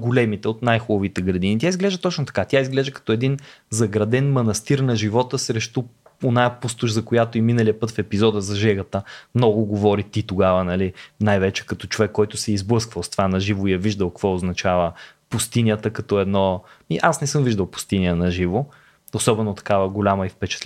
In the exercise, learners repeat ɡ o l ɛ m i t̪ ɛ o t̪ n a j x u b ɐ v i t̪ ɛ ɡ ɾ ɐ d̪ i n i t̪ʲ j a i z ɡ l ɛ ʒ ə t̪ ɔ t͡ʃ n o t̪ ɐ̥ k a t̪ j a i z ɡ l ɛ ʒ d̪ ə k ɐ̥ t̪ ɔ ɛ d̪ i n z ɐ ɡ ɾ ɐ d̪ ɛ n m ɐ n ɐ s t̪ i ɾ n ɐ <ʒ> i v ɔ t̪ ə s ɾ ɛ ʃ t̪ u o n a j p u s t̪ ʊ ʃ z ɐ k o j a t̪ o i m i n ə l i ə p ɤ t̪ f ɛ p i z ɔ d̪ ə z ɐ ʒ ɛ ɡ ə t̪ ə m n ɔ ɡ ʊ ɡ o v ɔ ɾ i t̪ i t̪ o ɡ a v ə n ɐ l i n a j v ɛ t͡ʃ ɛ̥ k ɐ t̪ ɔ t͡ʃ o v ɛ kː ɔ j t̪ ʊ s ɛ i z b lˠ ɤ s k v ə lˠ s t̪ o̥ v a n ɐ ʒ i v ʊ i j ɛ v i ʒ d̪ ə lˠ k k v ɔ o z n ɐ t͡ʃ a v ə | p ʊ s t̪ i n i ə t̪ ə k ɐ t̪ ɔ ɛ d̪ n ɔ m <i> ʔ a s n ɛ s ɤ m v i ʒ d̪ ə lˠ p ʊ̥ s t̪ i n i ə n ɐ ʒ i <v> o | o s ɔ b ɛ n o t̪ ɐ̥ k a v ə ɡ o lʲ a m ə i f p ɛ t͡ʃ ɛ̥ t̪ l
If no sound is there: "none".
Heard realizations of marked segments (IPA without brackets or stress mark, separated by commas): ʒ, i, v